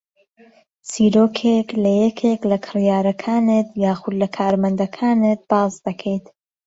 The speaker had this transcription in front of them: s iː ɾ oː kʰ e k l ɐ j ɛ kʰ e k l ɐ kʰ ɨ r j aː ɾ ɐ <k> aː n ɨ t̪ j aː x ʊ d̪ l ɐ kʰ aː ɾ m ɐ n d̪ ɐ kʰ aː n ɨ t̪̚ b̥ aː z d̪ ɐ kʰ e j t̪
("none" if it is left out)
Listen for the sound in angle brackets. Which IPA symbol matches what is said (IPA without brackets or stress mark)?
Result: kʰ